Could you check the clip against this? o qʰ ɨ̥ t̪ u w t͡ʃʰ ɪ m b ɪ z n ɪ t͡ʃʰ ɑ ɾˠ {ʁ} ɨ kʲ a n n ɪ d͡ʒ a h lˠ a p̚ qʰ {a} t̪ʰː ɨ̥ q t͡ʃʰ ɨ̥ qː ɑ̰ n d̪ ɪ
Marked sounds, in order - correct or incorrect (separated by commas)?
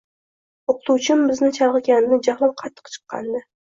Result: correct, incorrect